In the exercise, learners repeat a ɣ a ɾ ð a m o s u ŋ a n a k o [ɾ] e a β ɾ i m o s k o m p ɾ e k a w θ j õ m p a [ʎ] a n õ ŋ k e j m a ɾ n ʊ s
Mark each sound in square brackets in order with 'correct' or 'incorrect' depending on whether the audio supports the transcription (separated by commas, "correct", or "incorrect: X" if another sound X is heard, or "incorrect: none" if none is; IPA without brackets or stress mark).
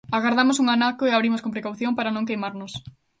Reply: incorrect: none, incorrect: ɾ